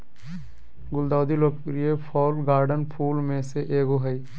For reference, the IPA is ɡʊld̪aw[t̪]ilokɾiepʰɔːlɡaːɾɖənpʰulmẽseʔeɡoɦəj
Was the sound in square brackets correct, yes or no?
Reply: no